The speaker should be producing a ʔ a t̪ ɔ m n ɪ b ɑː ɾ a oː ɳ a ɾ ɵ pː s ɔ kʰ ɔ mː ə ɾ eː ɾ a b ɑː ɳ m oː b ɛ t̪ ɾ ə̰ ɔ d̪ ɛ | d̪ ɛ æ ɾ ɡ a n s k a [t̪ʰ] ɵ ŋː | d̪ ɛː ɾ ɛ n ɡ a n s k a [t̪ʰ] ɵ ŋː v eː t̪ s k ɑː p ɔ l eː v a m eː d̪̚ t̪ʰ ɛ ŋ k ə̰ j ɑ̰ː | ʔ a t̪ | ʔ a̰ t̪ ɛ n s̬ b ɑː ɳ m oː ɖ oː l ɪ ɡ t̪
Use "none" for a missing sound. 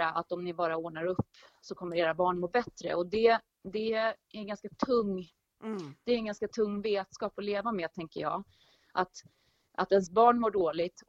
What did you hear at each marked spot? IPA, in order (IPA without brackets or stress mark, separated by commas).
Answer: t̪ʰ, t̪ʰ